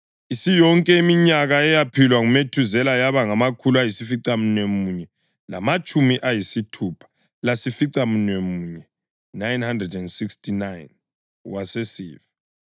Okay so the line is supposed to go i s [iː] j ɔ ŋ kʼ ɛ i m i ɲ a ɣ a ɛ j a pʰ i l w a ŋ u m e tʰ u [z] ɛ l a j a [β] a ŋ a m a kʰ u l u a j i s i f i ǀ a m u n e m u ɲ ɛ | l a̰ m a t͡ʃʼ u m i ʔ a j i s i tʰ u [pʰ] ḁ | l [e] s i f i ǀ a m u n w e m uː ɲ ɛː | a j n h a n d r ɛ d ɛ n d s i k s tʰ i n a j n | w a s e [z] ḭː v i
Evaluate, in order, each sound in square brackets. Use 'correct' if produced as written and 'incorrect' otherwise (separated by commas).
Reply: incorrect, correct, correct, correct, incorrect, incorrect